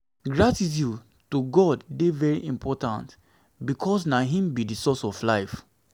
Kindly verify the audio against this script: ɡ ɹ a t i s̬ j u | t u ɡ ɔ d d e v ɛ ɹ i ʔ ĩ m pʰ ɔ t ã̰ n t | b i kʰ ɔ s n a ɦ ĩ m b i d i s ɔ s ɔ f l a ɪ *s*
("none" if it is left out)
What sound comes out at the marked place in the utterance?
f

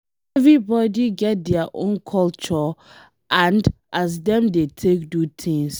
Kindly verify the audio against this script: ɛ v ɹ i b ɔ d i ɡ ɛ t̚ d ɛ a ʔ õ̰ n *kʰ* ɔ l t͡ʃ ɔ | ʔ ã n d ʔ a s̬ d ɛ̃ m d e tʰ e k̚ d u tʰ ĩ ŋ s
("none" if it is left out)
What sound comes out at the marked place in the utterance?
kʰ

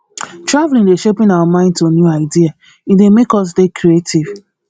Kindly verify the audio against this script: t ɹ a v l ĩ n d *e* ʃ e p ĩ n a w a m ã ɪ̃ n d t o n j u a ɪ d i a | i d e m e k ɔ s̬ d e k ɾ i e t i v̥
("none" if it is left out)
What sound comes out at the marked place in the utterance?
e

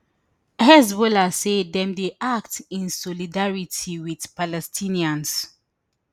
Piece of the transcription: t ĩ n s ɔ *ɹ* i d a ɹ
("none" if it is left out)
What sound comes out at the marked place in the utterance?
l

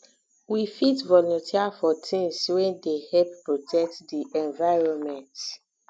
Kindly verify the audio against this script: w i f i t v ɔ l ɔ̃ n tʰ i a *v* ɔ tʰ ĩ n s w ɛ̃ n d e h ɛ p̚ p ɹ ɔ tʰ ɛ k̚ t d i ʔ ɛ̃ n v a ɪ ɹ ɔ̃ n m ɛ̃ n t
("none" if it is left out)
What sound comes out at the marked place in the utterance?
f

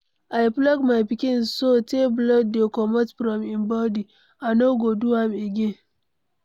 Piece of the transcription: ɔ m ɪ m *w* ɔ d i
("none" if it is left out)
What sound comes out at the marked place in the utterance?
b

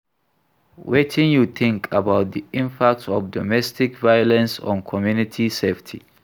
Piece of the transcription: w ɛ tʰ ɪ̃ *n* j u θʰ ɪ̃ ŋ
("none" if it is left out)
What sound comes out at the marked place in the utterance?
n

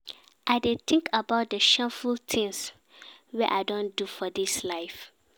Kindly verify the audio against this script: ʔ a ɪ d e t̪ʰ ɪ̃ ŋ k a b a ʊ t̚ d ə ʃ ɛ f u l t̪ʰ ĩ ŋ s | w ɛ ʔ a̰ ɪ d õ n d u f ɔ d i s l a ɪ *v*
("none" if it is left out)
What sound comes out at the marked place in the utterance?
f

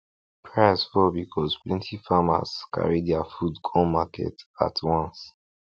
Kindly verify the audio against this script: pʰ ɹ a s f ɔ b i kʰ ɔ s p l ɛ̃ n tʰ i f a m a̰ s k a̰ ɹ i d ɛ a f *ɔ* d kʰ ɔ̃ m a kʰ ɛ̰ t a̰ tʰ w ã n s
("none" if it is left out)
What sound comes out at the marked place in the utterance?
u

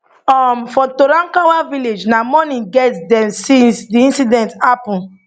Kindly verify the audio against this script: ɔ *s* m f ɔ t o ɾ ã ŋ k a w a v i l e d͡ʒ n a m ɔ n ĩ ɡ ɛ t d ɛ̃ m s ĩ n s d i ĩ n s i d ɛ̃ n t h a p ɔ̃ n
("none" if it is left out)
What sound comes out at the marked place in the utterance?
none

